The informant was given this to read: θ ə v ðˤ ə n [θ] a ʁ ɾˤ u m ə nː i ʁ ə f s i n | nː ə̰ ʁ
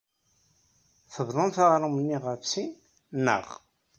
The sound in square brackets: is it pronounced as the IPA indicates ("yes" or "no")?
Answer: yes